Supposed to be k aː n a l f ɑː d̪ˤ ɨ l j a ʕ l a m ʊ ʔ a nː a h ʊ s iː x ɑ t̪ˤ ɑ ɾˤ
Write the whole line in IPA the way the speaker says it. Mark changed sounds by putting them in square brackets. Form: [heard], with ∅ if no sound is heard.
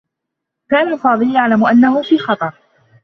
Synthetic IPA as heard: k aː n a l f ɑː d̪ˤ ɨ l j a ʕ l a m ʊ ʔ a nː a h ʊ [f] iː x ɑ t̪ˤ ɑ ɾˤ